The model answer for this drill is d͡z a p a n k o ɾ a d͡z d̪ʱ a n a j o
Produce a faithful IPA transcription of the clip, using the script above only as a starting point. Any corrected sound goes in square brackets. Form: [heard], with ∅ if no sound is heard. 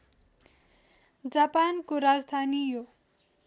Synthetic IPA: d͡z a p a n k o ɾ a d͡z d̪ʱ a n [i] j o